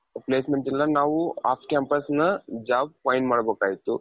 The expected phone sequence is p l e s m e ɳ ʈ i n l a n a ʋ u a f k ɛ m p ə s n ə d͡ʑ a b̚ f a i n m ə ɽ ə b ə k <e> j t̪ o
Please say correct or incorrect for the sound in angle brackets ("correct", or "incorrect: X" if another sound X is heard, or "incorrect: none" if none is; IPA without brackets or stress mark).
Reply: incorrect: a